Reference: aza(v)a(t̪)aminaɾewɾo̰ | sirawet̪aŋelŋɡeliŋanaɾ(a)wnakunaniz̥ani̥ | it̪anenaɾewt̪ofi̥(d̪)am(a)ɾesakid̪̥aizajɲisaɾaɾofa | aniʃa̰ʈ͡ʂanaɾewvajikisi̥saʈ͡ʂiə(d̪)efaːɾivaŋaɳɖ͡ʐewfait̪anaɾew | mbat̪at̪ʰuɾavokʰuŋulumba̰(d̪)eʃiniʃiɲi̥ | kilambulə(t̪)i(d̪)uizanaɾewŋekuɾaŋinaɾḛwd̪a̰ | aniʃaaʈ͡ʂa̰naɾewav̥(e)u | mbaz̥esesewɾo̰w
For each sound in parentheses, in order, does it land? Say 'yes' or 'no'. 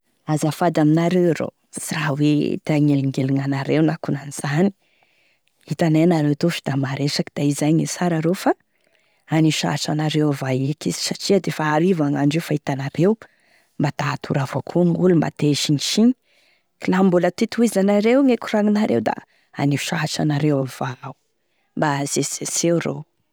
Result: no, no, no, yes, yes, yes, no, yes, no, no

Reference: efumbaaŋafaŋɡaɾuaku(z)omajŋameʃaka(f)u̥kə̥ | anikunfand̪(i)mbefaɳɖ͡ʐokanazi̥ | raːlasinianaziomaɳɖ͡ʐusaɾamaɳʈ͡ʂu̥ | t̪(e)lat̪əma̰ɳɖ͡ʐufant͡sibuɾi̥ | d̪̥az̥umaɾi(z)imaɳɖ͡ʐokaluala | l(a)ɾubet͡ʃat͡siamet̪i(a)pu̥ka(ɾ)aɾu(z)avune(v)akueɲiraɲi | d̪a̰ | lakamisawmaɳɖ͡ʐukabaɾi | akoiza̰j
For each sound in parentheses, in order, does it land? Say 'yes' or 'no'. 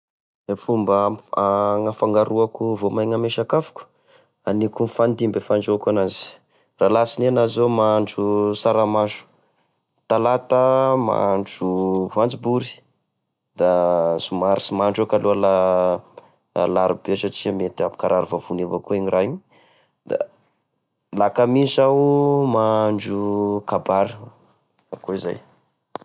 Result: no, yes, yes, no, no, yes, yes, yes, no, yes

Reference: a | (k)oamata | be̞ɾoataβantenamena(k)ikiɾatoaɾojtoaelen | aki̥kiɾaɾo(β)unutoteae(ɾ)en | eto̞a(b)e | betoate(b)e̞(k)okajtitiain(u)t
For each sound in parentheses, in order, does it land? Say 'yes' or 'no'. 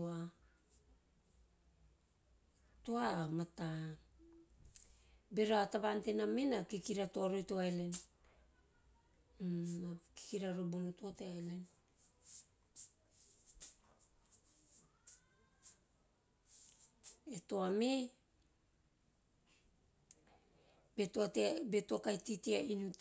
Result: no, yes, no, no, no, yes, no, yes

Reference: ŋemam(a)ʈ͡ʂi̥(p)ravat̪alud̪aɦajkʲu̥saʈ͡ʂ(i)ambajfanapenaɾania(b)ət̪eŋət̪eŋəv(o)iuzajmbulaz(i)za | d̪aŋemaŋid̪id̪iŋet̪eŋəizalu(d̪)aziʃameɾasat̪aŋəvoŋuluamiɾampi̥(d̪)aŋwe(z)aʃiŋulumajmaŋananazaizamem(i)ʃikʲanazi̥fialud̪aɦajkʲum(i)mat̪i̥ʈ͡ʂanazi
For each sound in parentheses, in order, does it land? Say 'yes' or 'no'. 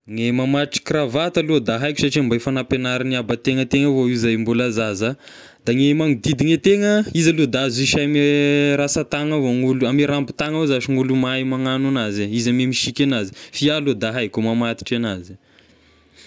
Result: yes, no, yes, yes, yes, no, yes, no, yes, yes, no

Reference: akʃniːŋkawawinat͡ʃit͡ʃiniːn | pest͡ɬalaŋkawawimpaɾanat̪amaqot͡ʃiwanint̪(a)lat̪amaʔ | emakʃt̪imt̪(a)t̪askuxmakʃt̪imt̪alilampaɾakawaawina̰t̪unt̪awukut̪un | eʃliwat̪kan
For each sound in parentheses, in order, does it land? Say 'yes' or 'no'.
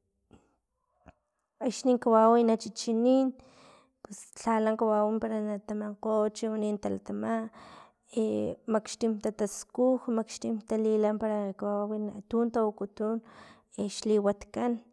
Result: yes, yes

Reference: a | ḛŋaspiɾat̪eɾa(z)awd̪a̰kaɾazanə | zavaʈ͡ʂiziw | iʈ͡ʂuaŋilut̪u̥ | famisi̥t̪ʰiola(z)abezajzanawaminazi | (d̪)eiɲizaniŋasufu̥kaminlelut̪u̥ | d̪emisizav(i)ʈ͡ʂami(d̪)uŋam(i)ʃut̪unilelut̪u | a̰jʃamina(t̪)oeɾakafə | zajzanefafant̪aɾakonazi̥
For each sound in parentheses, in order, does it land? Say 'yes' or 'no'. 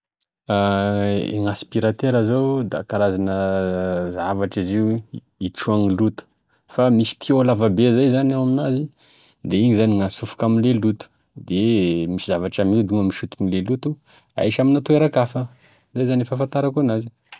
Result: yes, no, yes, no, yes, yes, yes

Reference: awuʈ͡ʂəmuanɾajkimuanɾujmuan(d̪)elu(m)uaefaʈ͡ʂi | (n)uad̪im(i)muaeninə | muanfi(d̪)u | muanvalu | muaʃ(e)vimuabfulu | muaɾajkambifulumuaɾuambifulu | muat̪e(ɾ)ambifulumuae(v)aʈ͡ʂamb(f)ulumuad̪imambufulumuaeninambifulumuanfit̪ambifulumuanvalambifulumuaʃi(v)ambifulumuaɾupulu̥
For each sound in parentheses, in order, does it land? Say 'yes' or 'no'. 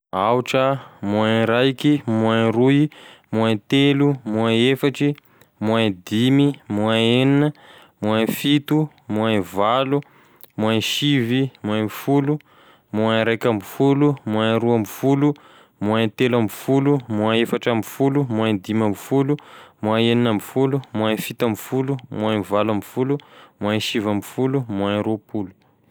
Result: no, yes, no, yes, no, no, no, no, yes, yes

